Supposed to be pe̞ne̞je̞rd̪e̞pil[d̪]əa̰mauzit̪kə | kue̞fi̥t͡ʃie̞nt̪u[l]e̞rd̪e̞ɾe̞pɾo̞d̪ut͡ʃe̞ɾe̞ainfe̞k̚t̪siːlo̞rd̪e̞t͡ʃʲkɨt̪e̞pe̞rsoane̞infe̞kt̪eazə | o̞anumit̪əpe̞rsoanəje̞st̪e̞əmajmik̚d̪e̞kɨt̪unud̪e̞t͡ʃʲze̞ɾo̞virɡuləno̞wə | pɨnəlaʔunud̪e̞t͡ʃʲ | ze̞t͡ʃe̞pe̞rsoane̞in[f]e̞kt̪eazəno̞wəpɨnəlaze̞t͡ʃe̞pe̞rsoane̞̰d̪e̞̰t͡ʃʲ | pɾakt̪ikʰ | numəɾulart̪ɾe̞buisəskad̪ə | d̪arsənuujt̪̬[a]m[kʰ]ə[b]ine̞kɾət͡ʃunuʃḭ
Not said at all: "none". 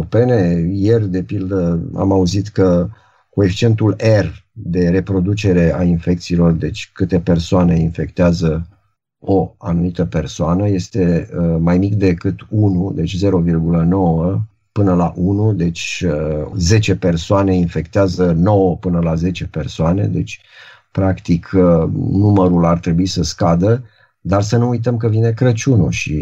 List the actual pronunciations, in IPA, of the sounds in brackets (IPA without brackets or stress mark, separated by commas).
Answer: d̪, l, f, ə, k, v